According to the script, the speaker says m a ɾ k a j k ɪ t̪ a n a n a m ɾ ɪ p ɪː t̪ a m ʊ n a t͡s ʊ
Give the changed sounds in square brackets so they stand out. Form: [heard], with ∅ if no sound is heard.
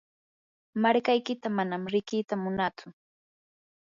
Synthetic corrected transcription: m a ɾ k a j k ɪ t̪ a [m] a n a m ɾ ɪ [k] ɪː t̪ a m ʊ n a t͡s ʊ